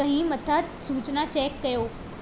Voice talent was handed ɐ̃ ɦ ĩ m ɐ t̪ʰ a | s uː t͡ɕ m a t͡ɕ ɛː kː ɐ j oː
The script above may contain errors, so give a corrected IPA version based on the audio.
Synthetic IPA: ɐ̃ ɦ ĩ m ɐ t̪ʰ a | s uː t͡ɕ n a t͡ɕ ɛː kː ɐ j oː

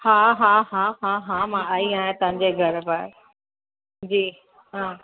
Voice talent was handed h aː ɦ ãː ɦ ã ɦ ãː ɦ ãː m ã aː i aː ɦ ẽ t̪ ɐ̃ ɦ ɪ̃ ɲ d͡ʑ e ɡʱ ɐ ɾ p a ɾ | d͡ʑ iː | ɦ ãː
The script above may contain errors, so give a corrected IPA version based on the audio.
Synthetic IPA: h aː ɦ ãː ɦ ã ɦ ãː ɦ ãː m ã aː i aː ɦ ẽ t̪ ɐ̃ ɦ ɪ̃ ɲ d͡ʑ e ɡʱ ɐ ɾ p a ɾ | d͡ʑ iː | ɦ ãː

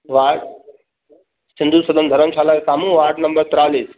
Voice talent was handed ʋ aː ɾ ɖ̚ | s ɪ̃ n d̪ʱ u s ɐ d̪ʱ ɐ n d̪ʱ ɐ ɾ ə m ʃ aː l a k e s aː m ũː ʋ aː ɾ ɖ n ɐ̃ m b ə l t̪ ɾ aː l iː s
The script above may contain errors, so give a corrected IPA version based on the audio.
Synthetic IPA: ʋ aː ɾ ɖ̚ | s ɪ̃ n d̪ʱ u s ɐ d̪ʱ ə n d̪ʱ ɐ ɾ ə m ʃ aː l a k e s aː m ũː ʋ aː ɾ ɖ n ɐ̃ m b ə ɾ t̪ ɾ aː l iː s

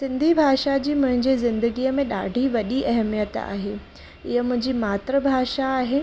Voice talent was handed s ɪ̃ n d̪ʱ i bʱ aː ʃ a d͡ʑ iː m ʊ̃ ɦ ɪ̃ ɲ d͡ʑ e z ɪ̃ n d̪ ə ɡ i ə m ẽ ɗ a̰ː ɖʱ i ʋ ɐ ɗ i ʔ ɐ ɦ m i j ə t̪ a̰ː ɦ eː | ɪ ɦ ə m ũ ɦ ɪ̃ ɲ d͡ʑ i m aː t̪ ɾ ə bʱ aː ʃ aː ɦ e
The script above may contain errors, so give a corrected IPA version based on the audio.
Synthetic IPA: s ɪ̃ n d̪ʱ i bʱ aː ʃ a d͡ʑ iː m ʊ̃ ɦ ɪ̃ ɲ d͡ʑ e z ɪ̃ n d̪ ə ɡ i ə m ẽ ɗ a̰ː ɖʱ i ʋ ɐ ɗ i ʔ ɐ ɦ m i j ə t̪ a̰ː ɦ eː | ɪ ɦ ə m ʊ̃ ɦ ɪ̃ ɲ d͡ʑ i m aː t̪ ɾ ə bʱ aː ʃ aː ɦ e

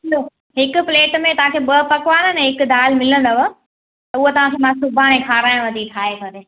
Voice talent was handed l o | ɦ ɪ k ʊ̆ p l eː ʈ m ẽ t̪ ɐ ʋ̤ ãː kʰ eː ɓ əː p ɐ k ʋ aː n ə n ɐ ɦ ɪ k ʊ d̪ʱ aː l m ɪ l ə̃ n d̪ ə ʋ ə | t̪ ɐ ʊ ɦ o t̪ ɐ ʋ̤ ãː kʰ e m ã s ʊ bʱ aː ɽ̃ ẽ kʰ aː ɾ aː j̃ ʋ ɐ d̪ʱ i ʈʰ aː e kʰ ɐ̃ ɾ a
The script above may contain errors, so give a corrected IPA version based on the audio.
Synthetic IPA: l o | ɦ ɪ k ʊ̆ p l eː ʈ m ẽ t̪ ɐ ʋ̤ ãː kʰ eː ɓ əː p ɐ k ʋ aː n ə n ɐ ɦ ɪ k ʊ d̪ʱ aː l m ɪ l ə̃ n d̪ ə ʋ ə | t̪ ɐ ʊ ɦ o t̪ ɐ ʋ̤ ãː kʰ e m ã s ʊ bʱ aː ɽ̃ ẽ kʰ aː ɾ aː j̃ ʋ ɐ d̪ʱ i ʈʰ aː e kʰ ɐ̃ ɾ e

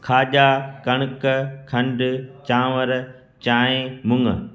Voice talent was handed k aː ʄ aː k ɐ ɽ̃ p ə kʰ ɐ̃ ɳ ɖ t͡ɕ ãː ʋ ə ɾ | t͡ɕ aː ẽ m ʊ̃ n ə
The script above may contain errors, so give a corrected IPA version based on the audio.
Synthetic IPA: kʰ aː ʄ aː k ɐ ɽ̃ k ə kʰ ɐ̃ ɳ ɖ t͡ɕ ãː ʋ ə ɾ | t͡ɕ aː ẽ m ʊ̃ ŋ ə

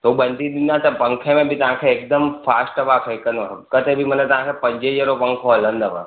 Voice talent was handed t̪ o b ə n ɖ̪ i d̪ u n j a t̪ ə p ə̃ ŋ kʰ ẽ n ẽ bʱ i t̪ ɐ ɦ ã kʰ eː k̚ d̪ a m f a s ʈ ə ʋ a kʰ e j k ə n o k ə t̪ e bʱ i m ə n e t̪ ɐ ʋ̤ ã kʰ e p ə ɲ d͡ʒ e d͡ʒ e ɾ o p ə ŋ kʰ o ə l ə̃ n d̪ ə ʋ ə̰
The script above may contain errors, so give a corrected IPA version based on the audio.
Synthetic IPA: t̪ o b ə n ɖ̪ i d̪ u n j a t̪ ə p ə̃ ŋ kʰ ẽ m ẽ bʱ i t̪ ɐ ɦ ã kʰ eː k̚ d̪ ə m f a s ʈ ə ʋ a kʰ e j k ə n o k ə t̪ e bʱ i m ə n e t̪ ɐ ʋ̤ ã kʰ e p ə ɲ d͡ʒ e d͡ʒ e ɾ o p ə ŋ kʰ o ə l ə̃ n d̪ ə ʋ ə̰

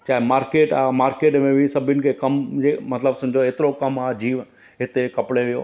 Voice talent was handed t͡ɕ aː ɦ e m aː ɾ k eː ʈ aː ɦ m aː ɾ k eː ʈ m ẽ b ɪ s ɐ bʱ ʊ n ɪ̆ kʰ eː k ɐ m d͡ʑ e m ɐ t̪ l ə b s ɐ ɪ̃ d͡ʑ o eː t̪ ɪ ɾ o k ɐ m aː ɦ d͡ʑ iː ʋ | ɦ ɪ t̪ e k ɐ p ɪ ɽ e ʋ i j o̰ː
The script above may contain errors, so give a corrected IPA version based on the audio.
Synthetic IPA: t͡ɕ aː ɦ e m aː ɾ k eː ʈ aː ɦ m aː ɾ k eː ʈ m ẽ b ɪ s ɐ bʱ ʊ n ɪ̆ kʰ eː k ɐ m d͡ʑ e m ɐ t̪ l ə b s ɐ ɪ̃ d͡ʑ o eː t̪ ɪ ɾ o k ɐ m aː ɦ d͡ʑ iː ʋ | ɦ ɪ t̪ e k ɐ p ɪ ɽ e ʋ i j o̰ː

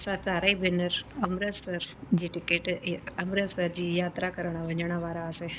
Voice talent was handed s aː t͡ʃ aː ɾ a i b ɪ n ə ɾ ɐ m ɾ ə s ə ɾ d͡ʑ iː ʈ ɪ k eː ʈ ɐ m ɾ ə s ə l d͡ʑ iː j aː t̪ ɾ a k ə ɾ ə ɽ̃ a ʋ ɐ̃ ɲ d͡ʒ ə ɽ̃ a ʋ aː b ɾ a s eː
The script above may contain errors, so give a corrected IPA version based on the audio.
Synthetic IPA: s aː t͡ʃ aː ɾ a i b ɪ n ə ɾ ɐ m ɾ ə s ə ɾ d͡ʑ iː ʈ ɪ k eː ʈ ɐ m ɾ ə s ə ɾ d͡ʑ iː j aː t̪ ɾ a k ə ɾ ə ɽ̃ a ʋ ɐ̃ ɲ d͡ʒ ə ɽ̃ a ʋ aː ɾ a s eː

